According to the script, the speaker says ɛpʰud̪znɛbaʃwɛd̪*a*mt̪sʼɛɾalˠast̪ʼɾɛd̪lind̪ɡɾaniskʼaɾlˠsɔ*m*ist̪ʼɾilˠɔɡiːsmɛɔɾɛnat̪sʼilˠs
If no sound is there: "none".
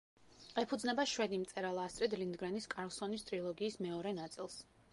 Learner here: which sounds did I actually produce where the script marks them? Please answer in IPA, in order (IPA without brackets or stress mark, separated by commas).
i, n